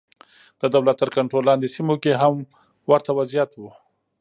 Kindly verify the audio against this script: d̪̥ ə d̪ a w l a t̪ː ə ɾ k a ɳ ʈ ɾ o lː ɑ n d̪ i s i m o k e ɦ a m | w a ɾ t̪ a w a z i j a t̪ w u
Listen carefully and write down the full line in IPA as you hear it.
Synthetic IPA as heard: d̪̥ ə d̪ a w l a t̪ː ə ɾ k a ɳ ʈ ɾ o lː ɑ n d̪ e s i m o k e ɦ a m | w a ɾ t̪ a w a z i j a t̪ w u